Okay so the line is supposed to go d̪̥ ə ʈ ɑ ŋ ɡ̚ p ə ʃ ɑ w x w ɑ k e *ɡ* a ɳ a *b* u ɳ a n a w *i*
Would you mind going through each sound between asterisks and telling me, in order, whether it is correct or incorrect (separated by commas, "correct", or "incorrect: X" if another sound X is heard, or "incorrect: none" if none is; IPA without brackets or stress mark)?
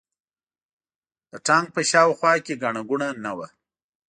correct, incorrect: ɡ, incorrect: a